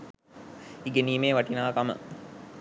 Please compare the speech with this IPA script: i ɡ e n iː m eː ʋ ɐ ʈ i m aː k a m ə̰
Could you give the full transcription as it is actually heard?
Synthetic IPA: i ɡ e n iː m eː ʋ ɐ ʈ i n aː k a m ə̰